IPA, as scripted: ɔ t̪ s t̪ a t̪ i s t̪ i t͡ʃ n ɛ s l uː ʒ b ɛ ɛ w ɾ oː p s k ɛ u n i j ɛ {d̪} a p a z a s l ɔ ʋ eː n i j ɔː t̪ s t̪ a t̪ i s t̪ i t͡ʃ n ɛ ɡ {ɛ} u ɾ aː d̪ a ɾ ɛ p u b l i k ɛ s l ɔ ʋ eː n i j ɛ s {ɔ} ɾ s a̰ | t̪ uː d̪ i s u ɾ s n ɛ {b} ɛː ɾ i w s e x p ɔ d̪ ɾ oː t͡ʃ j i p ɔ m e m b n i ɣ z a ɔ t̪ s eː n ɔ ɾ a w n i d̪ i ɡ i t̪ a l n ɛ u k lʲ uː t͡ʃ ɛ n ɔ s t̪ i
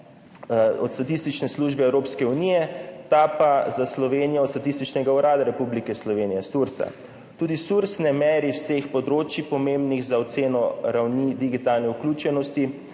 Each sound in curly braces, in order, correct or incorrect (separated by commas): incorrect, incorrect, incorrect, incorrect